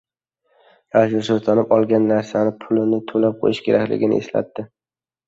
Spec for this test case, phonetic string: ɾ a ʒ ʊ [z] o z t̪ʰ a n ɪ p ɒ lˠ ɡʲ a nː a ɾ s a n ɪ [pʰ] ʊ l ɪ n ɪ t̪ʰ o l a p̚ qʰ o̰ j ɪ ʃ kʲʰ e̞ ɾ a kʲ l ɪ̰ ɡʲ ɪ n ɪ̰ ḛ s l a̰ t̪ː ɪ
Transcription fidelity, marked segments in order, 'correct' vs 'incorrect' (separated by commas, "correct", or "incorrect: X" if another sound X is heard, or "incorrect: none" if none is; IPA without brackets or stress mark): incorrect: s, correct